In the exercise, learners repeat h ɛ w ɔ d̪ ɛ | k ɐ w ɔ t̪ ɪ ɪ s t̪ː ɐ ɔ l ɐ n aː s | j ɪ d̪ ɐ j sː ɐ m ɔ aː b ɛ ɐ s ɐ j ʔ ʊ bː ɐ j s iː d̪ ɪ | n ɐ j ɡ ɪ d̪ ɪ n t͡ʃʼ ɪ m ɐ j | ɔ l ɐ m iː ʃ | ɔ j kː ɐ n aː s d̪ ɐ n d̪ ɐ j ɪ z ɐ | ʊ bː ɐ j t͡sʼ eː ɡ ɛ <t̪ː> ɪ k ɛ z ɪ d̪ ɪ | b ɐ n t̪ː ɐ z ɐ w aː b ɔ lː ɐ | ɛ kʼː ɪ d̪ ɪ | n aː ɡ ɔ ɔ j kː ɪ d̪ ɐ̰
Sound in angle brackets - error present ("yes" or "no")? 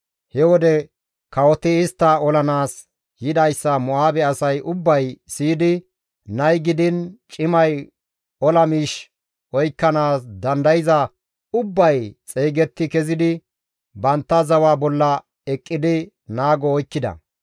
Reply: no